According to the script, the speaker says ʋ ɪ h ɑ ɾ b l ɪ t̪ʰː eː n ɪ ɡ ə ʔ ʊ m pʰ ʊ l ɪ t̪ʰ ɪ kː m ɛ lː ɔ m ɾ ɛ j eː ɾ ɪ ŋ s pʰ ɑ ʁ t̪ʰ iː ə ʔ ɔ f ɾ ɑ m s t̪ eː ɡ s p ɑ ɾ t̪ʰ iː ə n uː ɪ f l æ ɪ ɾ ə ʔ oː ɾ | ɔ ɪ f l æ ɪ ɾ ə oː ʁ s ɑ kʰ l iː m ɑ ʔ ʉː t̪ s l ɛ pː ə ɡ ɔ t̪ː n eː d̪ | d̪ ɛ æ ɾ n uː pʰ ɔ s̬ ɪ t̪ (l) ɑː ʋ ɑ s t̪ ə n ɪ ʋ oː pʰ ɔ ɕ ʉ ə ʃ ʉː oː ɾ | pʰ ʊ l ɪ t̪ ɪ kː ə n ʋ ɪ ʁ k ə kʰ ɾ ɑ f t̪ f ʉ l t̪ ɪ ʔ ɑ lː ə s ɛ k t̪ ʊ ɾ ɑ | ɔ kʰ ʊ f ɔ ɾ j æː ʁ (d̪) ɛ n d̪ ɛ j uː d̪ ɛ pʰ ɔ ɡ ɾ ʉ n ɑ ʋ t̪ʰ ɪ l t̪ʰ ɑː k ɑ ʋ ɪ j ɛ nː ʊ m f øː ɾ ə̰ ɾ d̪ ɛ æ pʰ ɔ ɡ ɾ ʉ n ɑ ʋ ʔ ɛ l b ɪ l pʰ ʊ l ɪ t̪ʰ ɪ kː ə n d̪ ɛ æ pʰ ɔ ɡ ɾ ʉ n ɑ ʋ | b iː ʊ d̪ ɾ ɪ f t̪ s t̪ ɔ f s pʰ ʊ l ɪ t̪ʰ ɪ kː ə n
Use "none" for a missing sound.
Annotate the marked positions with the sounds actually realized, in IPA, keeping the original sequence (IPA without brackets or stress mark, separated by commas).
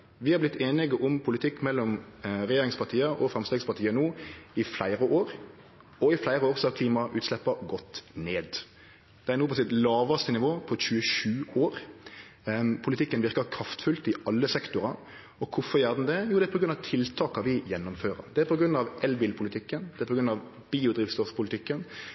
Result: l, d̪